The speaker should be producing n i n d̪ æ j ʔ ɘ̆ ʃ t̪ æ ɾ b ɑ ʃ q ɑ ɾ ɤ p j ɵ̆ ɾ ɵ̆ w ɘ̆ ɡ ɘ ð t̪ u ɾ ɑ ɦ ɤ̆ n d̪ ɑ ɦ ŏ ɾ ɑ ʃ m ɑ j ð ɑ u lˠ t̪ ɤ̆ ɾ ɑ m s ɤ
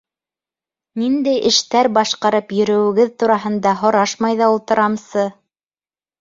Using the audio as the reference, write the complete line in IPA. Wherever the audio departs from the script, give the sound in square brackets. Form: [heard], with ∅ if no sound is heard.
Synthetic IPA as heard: n i n d̪ æ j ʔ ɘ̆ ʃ t̪ æ ɾ b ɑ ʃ q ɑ ɾ ɤ p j ɵ̆ ɾ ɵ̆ w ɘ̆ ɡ ɘ ð t̪ u ɾ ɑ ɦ ɤ̆ n d̪ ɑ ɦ ŏ ɾ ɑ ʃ m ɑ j ð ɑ u lˠ t̪ ɤ̆ ɾ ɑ m s ɤ